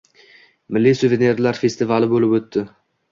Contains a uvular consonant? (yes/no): no